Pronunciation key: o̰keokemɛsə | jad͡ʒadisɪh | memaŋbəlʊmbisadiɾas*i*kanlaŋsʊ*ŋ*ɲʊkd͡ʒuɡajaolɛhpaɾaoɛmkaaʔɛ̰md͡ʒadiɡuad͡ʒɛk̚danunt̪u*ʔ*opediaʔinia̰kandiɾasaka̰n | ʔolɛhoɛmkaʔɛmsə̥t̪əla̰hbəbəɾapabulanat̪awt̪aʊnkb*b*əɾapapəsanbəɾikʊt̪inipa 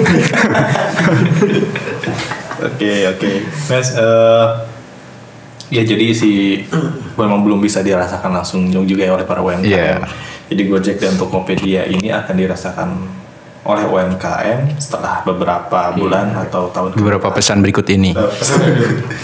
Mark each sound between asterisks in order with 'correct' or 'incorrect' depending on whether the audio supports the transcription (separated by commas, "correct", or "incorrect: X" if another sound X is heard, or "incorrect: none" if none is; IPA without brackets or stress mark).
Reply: incorrect: a, correct, incorrect: k, correct